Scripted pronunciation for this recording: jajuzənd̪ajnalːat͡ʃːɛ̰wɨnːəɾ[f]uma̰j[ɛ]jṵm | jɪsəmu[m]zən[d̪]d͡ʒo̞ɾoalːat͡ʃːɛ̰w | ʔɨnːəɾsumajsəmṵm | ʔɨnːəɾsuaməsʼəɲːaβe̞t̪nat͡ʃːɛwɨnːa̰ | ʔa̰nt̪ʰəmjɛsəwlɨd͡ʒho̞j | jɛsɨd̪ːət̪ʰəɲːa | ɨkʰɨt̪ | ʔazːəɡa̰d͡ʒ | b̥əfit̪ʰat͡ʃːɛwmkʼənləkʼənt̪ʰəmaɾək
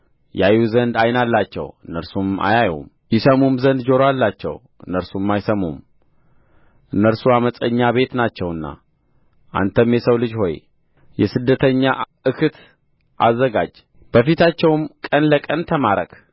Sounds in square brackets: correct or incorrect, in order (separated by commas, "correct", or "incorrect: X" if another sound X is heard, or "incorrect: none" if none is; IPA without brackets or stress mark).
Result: incorrect: s, incorrect: a, correct, correct